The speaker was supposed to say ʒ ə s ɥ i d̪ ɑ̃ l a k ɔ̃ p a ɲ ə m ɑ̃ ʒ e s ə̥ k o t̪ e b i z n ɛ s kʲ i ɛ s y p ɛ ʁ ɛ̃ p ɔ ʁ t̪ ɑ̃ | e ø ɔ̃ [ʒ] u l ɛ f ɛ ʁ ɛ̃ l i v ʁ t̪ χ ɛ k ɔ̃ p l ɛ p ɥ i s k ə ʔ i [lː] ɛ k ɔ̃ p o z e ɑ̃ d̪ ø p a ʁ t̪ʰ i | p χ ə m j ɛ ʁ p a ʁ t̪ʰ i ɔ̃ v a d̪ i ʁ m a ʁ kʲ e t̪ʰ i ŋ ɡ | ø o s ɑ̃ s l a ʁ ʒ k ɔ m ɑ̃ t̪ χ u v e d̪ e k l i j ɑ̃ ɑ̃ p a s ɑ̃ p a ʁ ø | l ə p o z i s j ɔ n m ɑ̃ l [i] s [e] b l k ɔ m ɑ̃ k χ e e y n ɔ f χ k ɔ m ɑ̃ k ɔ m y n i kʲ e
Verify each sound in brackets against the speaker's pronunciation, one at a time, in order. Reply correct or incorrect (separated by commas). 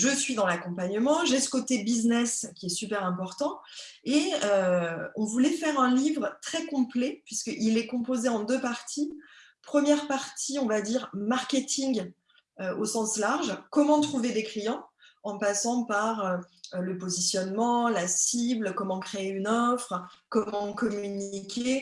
incorrect, incorrect, incorrect, incorrect